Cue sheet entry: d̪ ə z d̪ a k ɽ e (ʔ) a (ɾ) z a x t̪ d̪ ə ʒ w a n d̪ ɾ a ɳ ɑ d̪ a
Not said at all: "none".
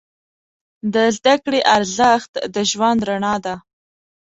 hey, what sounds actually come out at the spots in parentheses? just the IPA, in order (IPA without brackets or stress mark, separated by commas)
ʔ, ɾ